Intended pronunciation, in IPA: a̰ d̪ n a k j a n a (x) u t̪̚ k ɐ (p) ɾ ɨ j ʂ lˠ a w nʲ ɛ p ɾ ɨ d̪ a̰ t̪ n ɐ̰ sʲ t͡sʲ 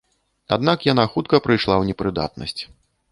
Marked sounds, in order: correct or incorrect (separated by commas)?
correct, correct